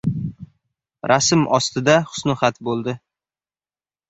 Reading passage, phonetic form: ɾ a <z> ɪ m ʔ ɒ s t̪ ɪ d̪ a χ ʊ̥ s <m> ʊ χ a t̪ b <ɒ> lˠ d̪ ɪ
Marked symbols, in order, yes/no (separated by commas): no, no, no